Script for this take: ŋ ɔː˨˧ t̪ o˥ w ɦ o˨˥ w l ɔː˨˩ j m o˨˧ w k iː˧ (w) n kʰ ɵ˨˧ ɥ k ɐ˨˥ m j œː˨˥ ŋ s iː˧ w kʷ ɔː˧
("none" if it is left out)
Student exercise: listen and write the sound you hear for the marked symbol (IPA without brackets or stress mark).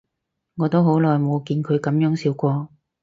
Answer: none